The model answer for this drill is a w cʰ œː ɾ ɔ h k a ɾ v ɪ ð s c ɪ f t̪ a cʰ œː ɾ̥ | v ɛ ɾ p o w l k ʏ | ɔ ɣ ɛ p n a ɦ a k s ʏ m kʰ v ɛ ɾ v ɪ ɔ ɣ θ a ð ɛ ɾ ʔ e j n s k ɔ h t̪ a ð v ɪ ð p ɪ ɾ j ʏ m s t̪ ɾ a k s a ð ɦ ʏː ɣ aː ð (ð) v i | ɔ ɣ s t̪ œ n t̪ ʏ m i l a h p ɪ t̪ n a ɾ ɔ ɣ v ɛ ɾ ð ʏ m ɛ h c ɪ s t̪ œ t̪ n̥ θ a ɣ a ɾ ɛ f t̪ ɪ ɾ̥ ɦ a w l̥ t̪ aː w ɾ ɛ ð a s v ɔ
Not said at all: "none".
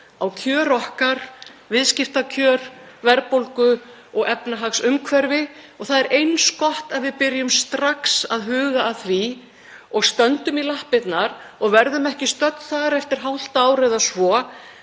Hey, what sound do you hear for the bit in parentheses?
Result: θ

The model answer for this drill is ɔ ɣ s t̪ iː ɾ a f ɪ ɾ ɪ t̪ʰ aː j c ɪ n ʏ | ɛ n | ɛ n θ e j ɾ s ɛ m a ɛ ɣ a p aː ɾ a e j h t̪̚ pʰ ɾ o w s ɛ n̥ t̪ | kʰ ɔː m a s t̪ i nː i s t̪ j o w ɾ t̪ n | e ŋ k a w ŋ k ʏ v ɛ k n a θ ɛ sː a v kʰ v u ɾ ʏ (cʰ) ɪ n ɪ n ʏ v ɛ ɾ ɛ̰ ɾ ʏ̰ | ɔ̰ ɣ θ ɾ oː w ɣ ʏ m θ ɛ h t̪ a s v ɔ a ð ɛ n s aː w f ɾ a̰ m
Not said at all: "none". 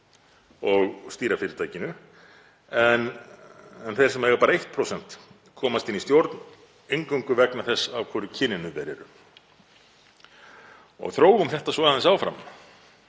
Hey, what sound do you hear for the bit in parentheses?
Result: cʰ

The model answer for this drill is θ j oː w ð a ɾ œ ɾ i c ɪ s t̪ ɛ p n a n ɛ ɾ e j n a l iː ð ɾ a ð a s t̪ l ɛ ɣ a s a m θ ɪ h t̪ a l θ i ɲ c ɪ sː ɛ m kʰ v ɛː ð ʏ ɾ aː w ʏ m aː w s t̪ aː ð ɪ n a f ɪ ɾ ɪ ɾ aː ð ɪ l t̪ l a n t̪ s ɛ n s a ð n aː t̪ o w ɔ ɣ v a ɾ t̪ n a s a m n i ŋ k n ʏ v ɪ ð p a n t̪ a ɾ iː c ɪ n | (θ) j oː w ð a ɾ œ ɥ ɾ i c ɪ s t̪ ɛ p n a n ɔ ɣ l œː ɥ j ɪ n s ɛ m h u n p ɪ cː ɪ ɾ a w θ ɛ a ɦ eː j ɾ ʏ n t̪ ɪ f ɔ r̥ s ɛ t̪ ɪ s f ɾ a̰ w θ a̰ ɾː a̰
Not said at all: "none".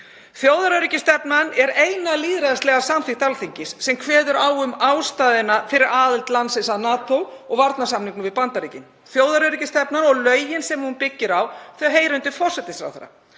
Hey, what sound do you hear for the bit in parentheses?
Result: θ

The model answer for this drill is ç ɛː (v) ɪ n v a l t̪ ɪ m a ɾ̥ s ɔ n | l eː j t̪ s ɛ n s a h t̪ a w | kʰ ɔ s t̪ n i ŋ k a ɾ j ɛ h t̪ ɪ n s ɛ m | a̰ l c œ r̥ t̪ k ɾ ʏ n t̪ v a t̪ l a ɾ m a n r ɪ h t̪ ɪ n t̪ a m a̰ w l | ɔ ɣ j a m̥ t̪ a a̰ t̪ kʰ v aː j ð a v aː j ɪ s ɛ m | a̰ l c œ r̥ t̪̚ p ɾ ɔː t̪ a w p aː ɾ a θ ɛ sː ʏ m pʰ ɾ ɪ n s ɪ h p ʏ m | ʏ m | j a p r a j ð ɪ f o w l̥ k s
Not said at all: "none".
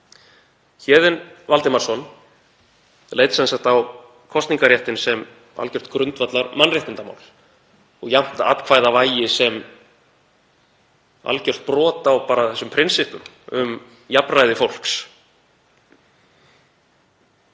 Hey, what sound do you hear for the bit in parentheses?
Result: ð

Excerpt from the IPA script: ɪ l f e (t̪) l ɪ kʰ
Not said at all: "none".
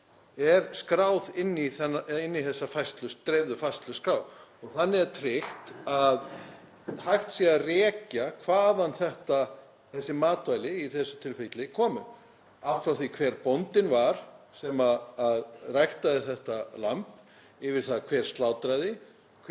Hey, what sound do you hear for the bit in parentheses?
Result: t̪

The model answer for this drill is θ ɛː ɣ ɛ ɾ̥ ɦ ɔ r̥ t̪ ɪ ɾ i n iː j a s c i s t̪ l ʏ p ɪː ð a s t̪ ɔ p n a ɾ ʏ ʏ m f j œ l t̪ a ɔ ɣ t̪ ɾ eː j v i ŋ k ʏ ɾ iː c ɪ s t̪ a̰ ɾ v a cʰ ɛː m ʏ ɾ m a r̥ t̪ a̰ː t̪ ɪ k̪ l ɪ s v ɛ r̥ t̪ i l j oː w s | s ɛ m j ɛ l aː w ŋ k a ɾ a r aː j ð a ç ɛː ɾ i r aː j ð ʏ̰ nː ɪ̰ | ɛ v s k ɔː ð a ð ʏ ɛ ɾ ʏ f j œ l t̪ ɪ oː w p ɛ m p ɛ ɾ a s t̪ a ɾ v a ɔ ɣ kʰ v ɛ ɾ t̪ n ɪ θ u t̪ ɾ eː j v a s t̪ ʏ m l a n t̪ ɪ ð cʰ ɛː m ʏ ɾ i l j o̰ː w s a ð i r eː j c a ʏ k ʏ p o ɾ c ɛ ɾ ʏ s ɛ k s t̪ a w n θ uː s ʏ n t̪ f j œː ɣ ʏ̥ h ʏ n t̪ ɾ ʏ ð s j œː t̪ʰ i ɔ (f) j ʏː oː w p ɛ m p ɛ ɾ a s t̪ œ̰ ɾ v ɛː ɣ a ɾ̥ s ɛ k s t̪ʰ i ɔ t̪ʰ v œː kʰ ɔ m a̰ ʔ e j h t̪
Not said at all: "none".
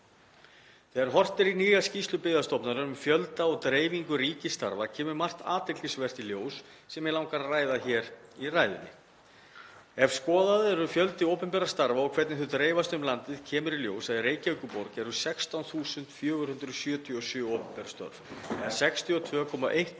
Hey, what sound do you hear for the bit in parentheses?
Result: s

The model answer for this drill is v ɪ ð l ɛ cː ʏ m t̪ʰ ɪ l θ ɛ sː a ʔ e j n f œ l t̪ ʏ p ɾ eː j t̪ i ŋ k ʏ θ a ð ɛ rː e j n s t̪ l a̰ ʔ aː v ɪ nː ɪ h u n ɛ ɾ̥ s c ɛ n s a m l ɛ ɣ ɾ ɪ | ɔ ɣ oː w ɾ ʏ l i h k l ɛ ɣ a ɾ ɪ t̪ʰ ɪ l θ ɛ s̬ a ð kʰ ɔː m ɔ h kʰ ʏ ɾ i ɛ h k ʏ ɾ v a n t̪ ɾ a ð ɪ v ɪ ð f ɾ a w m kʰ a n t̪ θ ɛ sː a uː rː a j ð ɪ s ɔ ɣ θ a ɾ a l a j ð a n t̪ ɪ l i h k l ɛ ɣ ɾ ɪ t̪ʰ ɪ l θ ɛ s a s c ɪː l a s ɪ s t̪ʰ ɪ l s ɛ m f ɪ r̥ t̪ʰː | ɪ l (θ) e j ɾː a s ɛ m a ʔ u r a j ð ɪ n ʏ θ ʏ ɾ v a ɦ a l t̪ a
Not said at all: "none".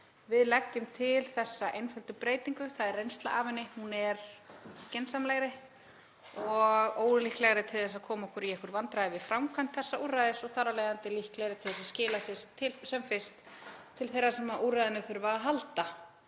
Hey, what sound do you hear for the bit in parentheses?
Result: θ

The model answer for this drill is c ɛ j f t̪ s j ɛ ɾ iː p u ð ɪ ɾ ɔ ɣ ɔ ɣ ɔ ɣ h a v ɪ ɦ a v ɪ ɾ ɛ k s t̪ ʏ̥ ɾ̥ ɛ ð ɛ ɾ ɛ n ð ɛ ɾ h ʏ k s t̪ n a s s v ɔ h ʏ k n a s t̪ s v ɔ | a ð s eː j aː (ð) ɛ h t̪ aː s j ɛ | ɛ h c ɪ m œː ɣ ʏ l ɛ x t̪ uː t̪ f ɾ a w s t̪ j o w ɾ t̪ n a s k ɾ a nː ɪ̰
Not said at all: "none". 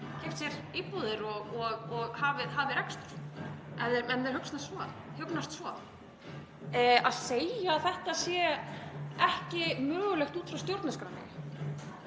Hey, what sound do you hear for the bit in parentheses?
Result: θ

